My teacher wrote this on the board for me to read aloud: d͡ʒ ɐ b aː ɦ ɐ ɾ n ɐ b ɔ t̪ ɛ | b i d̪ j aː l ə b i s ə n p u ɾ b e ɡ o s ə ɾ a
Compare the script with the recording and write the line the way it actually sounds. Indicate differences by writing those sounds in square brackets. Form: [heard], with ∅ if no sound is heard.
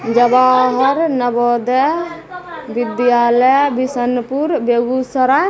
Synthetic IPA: d͡ʒ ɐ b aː ɦ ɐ ɾ n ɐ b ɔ [d̪] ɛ | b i d̪ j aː l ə b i s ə n p u ɾ b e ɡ [u] s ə ɾ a